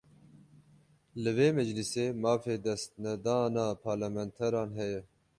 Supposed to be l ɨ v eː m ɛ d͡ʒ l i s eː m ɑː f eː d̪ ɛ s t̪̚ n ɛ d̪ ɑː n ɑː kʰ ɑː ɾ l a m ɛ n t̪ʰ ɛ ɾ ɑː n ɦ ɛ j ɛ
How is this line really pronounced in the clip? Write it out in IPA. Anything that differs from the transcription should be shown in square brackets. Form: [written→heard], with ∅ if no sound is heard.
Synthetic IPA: l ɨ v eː m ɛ d͡ʒ l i s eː m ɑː f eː d̪ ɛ s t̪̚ n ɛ d̪ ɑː n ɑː [kʰ→pʰ] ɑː ɾ l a m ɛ n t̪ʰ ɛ ɾ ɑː n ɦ ɛ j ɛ

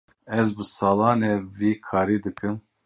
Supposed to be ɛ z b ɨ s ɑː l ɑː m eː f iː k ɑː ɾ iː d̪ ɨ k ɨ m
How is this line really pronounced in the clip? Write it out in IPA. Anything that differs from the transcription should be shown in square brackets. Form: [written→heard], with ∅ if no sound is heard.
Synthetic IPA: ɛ z b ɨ s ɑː l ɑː [m→n] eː [f→v] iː [k→kʰ] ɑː ɾ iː d̪ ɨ k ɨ m

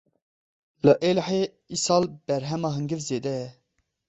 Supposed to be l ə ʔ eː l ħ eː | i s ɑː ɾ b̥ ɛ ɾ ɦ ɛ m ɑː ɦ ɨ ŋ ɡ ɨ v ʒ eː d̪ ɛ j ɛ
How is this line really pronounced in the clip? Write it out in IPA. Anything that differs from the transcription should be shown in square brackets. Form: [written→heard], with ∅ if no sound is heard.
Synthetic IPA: l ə ʔ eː l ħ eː | i s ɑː [ɾ→l] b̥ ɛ ɾ ɦ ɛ m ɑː ɦ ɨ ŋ ɡ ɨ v [ʒ→z] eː d̪ ɛ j ɛ

